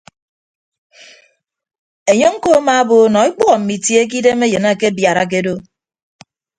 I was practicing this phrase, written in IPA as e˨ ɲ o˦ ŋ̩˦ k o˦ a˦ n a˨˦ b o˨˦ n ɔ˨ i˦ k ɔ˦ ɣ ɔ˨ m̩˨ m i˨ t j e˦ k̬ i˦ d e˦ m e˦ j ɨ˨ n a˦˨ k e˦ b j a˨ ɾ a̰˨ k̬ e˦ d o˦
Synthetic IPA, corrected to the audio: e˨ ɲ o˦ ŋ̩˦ k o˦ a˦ m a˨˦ b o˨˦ n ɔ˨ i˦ k͡p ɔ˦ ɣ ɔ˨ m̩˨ m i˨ t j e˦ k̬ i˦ d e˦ m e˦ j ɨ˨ n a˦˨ k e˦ b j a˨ ɾ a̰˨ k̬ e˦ d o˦